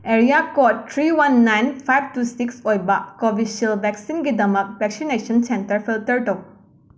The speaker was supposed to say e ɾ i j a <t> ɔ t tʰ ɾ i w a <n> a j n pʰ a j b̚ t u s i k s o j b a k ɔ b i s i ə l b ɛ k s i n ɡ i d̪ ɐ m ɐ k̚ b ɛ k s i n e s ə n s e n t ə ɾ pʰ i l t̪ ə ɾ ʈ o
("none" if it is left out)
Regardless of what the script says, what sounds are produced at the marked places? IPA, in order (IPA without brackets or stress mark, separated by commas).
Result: k, nː